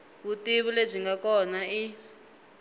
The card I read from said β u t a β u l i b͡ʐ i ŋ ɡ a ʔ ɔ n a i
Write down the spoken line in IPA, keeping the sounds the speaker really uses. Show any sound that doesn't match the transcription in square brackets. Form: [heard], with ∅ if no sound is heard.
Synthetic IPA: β u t [i] β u l [e] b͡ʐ i ŋ ɡ a [k] ɔ n a i